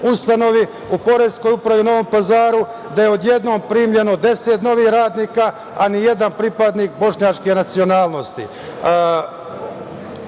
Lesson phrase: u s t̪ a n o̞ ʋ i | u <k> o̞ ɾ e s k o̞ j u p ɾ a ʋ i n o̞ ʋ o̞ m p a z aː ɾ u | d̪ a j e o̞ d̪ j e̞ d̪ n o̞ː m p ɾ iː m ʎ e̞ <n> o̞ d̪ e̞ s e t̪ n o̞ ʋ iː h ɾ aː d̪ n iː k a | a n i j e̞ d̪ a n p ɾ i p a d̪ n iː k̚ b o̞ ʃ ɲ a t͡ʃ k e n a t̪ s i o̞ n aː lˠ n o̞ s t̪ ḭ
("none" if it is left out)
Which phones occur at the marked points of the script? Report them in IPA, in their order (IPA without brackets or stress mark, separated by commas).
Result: p, n